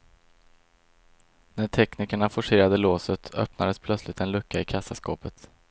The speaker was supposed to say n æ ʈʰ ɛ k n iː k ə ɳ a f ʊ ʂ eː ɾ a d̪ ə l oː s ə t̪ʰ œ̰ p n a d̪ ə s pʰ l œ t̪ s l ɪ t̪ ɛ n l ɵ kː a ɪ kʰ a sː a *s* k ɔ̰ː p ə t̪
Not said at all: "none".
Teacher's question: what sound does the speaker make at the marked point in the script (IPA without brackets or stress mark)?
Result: s